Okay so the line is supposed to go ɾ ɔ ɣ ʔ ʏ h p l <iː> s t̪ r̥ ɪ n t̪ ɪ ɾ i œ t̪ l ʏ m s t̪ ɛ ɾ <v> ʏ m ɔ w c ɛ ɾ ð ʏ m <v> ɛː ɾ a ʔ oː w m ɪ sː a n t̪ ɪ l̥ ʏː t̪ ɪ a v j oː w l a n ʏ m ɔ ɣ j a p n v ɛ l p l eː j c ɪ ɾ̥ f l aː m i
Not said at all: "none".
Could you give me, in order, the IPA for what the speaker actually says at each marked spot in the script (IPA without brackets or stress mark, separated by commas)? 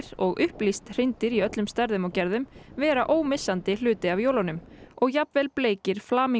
i, ð, v